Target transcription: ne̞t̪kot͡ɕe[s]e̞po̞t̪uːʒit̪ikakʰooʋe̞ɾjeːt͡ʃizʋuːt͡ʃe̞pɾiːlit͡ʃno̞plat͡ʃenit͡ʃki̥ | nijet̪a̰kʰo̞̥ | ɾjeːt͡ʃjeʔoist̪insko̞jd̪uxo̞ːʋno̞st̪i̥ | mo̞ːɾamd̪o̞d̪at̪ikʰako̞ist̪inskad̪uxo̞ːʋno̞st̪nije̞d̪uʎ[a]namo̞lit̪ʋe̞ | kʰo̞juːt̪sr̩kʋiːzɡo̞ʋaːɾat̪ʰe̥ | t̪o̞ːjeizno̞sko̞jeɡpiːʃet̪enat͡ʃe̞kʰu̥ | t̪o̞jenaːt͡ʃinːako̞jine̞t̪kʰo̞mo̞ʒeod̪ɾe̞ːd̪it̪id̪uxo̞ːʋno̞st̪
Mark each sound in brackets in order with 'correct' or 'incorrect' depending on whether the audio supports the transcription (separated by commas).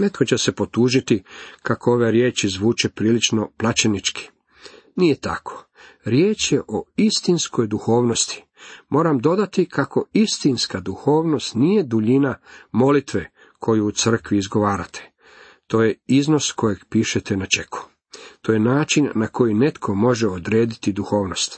correct, incorrect